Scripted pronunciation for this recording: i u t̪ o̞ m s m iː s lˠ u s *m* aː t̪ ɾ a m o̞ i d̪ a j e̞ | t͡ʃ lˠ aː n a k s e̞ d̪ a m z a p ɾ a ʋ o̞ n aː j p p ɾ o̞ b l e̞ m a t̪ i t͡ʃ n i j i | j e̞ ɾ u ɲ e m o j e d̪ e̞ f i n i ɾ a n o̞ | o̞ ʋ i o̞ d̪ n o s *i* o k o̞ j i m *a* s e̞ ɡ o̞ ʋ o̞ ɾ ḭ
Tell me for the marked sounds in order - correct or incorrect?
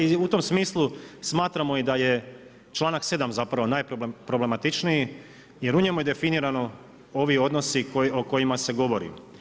correct, correct, correct

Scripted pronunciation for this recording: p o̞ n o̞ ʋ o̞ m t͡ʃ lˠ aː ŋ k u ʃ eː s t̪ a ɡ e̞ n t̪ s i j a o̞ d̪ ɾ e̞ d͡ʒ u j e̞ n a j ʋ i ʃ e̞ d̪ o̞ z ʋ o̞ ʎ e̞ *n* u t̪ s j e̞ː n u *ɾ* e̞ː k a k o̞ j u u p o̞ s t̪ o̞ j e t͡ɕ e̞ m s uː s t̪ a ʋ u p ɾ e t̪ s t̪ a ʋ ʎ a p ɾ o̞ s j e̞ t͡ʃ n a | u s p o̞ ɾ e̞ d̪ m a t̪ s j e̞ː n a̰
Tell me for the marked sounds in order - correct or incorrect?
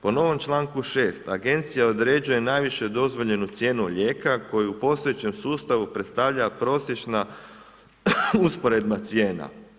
correct, incorrect: ʎ

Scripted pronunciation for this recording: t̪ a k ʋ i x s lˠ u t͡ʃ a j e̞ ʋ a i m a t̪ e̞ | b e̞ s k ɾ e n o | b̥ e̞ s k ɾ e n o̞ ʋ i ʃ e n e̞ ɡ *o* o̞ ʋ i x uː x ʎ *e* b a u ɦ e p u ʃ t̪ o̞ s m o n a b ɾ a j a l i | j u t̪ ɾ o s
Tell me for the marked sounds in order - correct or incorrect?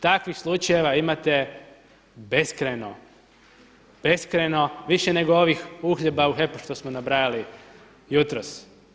correct, correct

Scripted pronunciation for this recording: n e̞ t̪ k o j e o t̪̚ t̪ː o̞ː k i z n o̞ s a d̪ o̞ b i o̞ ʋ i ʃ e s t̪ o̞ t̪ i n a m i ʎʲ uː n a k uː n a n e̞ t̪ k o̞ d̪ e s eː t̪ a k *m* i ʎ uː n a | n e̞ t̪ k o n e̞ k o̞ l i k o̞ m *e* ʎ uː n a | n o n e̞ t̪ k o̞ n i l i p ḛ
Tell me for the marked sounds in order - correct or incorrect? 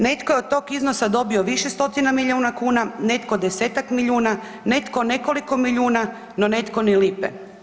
correct, incorrect: i

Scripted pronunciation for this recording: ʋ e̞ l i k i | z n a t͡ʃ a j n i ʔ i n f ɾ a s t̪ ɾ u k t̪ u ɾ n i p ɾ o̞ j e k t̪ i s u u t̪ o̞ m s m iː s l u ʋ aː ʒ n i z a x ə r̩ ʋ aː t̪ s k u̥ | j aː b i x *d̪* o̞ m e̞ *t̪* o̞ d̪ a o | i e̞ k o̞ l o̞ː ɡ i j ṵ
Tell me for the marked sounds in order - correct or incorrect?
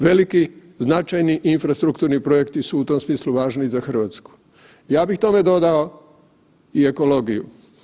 incorrect: t̪, incorrect: d̪

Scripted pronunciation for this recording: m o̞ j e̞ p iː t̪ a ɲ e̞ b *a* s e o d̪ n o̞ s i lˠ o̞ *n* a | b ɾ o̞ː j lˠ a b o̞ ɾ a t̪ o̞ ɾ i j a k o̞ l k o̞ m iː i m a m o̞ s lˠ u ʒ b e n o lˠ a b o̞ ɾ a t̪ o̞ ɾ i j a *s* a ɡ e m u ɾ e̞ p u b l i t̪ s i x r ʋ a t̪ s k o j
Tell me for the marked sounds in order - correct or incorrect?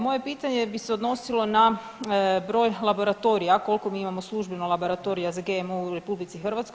incorrect: i, correct, incorrect: z

